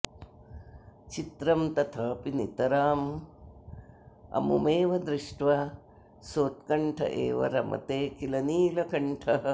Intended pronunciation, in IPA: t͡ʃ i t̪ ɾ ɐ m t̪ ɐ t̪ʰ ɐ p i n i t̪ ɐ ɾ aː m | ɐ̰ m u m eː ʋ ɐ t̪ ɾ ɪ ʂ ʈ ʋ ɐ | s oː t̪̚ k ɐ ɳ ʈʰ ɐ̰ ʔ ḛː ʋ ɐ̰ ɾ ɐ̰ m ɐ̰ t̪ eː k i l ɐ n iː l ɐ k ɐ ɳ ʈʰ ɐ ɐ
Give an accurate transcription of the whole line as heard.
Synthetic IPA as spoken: t͡ʃ i t̪ ɾ ɐ m t̪ ɐ t̪ʰ ɐ p i n i t̪ ɐ ɾ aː m | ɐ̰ m u m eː ʋ ɐ d̪ ɾ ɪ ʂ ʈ ʋ ɐ | s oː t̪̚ k ɐ ɳ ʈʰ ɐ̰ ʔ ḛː ʋ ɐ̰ ɾ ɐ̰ m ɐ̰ t̪ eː k i l ɐ n iː l ɐ k ɐ ɳ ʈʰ ɐ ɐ